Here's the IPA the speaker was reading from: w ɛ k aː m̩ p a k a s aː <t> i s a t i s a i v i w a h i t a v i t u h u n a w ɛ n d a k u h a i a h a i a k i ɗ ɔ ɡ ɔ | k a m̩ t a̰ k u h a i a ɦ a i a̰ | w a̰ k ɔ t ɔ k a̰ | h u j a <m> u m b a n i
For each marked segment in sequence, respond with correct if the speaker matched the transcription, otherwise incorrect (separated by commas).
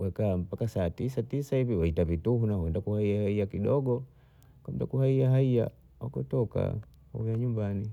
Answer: correct, incorrect